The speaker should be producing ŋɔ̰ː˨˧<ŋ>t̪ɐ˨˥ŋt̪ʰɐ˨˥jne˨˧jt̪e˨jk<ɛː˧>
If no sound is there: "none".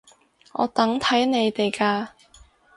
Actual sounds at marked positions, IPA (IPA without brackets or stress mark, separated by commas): none, aː˧